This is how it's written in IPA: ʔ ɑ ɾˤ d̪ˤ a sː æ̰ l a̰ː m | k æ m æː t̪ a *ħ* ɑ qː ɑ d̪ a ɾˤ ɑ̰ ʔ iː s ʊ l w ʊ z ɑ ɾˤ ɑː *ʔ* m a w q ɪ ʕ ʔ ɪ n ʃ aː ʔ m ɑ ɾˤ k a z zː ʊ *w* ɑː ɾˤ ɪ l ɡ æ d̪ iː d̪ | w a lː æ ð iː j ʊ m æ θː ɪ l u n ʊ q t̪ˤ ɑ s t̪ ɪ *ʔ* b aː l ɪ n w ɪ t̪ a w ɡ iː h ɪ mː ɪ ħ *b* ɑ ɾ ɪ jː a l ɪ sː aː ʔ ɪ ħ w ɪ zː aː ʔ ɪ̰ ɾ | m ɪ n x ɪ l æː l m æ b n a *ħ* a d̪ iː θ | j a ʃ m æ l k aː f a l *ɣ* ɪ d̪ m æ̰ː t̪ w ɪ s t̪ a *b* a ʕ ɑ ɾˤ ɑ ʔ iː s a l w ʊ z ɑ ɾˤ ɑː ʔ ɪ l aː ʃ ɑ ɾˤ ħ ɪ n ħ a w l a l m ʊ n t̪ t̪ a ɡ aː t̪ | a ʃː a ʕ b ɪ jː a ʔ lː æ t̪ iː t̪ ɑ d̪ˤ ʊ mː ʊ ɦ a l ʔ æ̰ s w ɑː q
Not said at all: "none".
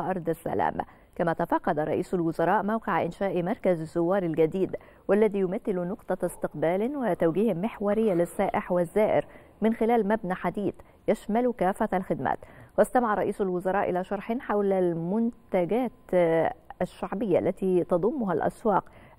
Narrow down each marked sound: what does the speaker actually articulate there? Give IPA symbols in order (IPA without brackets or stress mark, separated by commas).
f, ʔ, wː, q, w, ħ, x, m